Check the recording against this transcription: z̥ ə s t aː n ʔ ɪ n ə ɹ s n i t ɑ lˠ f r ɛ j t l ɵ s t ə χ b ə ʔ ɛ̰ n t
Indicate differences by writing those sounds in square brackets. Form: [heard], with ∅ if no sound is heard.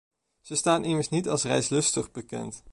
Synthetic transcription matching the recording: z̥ ə s t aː n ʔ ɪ [m] ə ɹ s n i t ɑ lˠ [s] r ɛ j [s] l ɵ s t ə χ b ə [k] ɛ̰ n t

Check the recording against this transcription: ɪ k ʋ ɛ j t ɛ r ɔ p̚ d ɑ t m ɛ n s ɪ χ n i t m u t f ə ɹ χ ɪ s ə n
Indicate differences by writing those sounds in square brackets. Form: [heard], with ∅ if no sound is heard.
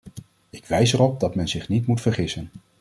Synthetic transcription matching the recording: ɪ k ʋ ɛ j [s] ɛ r ɔ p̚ d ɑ t m ɛ n [z] ɪ χ n i t m u t f ə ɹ χ ɪ s ə n

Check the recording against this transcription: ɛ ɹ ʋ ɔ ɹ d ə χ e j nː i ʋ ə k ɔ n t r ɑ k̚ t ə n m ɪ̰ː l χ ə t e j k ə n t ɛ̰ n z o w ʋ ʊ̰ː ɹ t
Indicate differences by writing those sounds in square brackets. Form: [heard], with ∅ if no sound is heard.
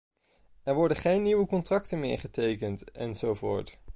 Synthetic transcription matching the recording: ɛ ɹ ʋ ɔ ɹ d ə χ e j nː i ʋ ə k ɔ n t r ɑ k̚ t ə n m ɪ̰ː [ɹ] χ ə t e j k ə n t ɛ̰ n z o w [v] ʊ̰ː ɹ t

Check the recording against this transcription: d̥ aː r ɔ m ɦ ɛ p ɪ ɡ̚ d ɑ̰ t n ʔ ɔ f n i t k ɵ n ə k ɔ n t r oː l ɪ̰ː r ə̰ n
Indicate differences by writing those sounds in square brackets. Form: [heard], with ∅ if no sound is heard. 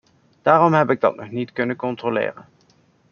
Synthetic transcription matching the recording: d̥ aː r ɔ m ɦ ɛ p ɪ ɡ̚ d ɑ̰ t n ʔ ɔ [χ] n i t k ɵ n ə k ɔ n t r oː l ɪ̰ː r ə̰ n

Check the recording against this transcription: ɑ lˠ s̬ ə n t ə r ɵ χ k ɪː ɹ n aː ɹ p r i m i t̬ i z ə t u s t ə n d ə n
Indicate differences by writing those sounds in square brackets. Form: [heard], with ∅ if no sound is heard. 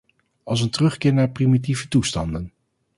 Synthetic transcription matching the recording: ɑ lˠ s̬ ə n t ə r ɵ χ k ɪː ɹ n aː ɹ p r i m i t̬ i [v] ə t u s t [ɑ] n d ə n

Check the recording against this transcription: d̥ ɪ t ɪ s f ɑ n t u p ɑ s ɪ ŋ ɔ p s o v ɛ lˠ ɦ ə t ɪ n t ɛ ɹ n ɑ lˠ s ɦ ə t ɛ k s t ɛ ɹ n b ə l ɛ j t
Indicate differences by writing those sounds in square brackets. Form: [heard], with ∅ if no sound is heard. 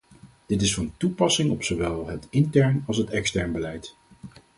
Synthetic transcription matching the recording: d̥ ɪ t ɪ s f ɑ n t u p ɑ s ɪ ŋ ɔ p s o [ʋ] ɛ lˠ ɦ ə t ɪ n t ɛ ɹ n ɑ lˠ s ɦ ə t ɛ k s t ɛ ɹ n b ə l ɛ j t

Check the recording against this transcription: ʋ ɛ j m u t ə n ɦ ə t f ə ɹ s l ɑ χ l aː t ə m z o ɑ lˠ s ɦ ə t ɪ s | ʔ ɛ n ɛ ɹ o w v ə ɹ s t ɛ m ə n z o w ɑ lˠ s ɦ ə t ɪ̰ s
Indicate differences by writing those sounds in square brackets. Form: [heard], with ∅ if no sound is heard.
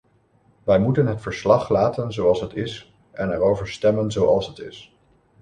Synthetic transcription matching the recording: ʋ ɛ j m u t ə n ɦ ə t f ə ɹ s l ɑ χ l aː t ə [n] z o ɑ lˠ s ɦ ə t ɪ s | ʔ ɛ n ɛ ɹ o w v ə ɹ s t ɛ m ə n z o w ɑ lˠ s ɦ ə t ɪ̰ s

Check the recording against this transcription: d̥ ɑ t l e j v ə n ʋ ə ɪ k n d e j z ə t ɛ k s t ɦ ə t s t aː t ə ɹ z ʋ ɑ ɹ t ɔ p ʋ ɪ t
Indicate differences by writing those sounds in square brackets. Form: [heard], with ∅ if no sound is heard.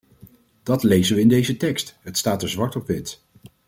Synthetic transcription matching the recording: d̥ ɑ t l e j [z] ə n ʋ ə ɪ [∅] n d e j z ə t ɛ k s t ɦ ə t s t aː t ə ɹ z ʋ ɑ ɹ t ɔ p ʋ ɪ t

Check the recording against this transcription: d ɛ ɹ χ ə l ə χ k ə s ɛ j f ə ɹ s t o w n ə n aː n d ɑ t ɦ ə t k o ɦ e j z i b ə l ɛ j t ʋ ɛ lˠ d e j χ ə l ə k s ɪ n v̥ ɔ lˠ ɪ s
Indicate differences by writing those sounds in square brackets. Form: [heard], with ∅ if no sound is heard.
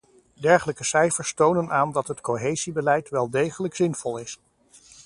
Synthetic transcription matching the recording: d ɛ ɹ χ ə l ə [∅] k ə s ɛ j f ə ɹ s t o w n ə n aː n d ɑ t ɦ ə t k o ɦ e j z i b ə l ɛ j t ʋ ɛ lˠ d e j χ ə l ə k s ɪ n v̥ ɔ lˠ ɪ s

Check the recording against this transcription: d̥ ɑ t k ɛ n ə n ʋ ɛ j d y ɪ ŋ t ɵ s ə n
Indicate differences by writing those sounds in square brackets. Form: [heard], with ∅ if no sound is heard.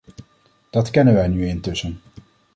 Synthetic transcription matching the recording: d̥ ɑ t k ɛ n ə n ʋ ɛ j [n] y ɪ [n] t ɵ s ə n

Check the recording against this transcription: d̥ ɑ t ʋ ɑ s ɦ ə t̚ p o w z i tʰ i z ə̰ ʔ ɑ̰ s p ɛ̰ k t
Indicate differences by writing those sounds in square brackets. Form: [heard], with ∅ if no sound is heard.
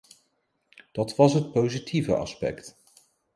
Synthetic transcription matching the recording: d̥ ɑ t ʋ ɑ s ɦ ə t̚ p o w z i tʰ i [v] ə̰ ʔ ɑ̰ s p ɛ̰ k t

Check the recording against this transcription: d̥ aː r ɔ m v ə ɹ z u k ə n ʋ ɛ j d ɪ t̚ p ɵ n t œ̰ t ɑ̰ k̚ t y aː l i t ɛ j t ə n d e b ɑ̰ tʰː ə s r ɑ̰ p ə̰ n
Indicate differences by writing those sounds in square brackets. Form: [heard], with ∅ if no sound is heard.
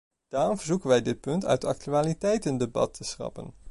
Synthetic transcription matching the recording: d̥ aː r ɔ m v ə ɹ z u k ə n ʋ ɛ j d ɪ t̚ p ɵ n t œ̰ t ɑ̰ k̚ t y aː l i t ɛ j t ə n d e b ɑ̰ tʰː ə s r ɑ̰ p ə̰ n

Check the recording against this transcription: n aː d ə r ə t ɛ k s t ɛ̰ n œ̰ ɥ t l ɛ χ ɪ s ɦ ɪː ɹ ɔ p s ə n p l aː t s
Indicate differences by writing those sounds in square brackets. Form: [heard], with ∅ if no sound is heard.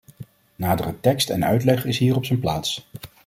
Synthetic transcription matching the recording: n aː d ə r ə t ɛ k s t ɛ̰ n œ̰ ɥ t l ɛ χ ɪ s ɦ [iː] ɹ ɔ p s ə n p l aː t s

